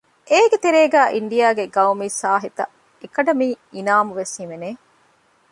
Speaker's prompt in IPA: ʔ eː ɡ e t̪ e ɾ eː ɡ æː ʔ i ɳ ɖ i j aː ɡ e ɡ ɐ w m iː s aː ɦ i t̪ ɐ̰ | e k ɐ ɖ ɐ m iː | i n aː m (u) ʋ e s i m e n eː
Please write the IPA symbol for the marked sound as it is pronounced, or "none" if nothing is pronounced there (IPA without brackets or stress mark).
u